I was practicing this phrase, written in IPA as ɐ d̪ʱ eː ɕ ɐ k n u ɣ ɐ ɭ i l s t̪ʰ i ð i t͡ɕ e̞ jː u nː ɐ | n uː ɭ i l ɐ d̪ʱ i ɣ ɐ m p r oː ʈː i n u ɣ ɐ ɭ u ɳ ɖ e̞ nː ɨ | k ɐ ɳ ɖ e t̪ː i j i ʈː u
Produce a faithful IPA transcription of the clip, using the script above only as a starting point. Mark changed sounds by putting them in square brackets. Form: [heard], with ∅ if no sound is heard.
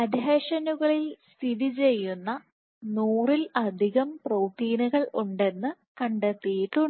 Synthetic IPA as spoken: ɐ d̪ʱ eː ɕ ɐ [∅] n u ɣ ɐ ɭ i l s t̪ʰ i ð i t͡ɕ e̞ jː u nː ɐ | n uː [r] i l ɐ d̪ʱ i ɣ ɐ m p r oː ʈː [iː] n u ɣ ɐ ɭ u ɳ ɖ e̞ nː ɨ | k ɐ ɳ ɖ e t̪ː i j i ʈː u